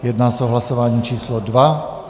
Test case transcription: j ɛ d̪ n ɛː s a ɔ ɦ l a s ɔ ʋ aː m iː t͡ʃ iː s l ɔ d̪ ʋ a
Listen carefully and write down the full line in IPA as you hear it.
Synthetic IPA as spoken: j ɛ d̪ n aː s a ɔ ɦ l a s ɔ ʋ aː ɲ iː t͡ʃ iː s l ɔ d̪ ʋ a

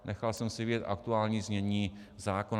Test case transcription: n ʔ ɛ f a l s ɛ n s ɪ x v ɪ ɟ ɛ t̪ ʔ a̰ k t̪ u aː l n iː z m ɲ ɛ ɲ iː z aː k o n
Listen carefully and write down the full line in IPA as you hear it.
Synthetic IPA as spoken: n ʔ ɛ x a l s ɛ m s ɪ v ɪ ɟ ɛ t̪ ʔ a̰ k t̪ u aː l ɲ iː z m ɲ ɛ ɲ iː z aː k o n

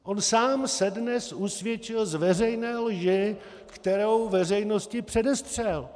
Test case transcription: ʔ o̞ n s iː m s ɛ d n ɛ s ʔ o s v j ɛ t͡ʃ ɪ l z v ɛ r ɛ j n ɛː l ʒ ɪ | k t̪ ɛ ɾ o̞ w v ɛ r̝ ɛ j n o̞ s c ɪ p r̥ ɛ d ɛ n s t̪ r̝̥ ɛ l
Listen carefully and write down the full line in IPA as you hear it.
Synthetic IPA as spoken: ʔ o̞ n s aː m s ɛ d n ɛ s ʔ u s v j ɛ t͡ʃ ɪ l z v ɛ r ɛ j n ɛː l ʒ ɪ | k t̪ ɛ ɾ o̞ w v ɛ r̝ ɛ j n o̞ s c ɪ p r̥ ɛ d ɛ s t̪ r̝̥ ɛ l

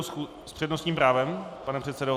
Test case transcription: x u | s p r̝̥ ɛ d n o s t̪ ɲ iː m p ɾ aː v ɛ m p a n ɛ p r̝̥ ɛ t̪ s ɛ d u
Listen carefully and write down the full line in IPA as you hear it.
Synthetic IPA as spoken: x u | s p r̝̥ ɛ d n o s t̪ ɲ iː m p ɾ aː v ɛ m p a n ɛ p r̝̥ ɛ t̪ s ɛ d o

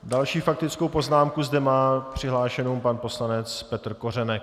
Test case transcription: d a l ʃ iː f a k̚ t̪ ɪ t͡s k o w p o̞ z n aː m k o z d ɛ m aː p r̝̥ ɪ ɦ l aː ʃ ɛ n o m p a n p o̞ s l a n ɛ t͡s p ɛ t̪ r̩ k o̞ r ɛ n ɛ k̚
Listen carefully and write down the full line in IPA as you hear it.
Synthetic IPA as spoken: d a l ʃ iː f a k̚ t̪ ɪ t͡s k o w p o̞ z n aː m k u z d ɛ m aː p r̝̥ ɪ ɦ l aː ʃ ɛ n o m p a n p o̞ s l a n ɛ t͡s p ɛ t̪ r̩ k o̞ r ɛ n ɛ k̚

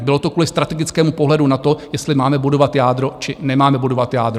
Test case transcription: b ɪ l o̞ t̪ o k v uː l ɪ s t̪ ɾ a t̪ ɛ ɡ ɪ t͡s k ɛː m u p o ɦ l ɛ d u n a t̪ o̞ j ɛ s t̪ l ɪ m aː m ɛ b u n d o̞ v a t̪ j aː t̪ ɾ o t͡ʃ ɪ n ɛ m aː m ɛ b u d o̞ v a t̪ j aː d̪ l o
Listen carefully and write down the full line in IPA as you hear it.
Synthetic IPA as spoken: b ɪ l o̞ t̪ o k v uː l ɪ s t̪ ɾ a t̪ ɛ ɡ ɪ t͡s k ɛː m u p o ɦ l ɛ d u n a t̪ o̞ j ɛ s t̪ l ɪ m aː m ɛ b u d o̞ v a t̪ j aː d̪ ɾ o t͡ʃ ɪ n ɛ m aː m ɛ b u d o̞ v a t̪ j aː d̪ ɾ o

